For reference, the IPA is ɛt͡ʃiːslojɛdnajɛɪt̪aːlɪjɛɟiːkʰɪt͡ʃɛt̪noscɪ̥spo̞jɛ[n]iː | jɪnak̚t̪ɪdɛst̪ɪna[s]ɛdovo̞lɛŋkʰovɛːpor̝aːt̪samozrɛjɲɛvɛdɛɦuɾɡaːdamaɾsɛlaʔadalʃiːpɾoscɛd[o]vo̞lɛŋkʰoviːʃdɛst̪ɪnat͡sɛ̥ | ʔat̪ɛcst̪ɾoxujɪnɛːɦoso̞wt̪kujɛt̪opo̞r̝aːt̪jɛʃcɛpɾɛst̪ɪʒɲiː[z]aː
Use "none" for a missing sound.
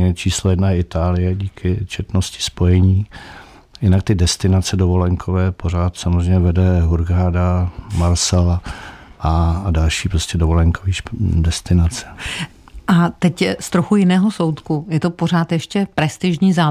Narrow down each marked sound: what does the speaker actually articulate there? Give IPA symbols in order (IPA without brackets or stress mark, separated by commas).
ɲ, t͡s, o, z